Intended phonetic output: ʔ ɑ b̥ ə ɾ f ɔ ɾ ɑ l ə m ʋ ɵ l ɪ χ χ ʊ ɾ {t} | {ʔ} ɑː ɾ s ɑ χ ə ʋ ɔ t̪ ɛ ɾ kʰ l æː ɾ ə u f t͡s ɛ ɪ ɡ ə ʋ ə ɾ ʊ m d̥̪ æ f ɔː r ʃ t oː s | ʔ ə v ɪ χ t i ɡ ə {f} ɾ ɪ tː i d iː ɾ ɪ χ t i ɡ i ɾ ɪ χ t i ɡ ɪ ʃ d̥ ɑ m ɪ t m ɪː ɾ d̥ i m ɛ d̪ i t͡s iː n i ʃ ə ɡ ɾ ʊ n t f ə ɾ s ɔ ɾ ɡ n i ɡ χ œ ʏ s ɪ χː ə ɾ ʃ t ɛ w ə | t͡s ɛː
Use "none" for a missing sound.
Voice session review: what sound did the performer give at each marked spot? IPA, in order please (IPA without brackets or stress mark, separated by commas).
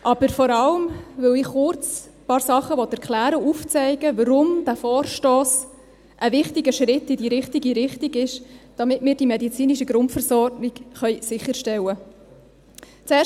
t͡s, p, ʃ